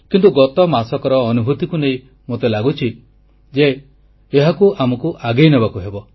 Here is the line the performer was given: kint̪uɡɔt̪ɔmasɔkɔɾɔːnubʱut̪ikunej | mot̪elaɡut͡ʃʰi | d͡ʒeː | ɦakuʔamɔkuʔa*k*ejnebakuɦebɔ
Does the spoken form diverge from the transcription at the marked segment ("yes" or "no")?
yes